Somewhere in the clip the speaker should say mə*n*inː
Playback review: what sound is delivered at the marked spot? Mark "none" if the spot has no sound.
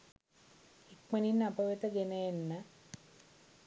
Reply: n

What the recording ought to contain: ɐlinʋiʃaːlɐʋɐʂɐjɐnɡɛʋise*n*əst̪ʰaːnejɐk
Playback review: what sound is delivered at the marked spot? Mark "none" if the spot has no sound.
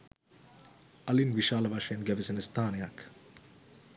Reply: n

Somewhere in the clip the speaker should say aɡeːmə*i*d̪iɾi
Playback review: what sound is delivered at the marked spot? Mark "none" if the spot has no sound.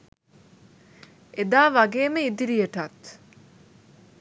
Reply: i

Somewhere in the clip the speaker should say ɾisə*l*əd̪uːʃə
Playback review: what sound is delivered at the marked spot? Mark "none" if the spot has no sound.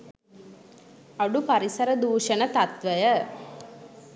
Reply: ɾ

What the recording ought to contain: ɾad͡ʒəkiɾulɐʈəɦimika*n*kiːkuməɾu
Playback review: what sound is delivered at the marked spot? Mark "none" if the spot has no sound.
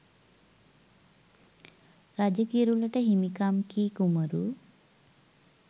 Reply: m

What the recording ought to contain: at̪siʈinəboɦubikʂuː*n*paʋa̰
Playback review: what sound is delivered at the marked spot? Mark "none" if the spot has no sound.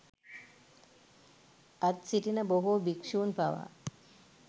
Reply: n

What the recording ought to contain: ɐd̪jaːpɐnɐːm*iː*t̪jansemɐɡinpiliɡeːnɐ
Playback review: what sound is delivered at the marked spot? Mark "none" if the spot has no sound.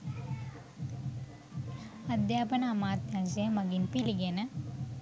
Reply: aː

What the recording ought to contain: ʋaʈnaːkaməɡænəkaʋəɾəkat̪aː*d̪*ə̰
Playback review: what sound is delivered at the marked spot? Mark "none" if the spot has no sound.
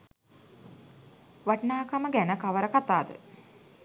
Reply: d̪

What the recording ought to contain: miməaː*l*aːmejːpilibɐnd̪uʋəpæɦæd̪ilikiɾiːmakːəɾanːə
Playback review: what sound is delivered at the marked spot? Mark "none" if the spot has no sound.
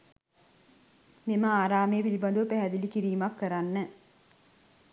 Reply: ɾ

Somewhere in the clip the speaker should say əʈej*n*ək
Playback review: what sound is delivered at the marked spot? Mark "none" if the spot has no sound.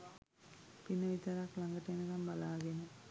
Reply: n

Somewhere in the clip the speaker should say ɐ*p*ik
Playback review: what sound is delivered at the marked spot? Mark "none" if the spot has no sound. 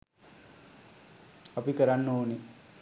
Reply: p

